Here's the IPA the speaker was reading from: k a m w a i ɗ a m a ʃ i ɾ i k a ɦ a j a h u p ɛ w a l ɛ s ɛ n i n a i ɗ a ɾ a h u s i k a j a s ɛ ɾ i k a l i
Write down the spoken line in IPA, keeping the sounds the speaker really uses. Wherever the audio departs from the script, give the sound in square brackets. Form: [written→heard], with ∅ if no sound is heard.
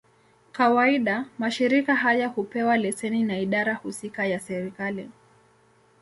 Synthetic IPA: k a [m→∅] w a i ɗ a m a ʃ i ɾ i k a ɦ a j a h u p ɛ w a l ɛ s ɛ n i n a i ɗ a ɾ a h u s i k a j a s ɛ ɾ i k a l i